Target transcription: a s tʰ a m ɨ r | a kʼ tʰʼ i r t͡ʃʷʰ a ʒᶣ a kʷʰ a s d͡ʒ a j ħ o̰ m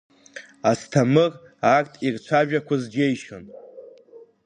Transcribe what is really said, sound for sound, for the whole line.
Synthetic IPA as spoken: a s tʰ a m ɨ r | a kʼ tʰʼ i r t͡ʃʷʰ a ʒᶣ a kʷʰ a z d͡ʒ e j ʃ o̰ n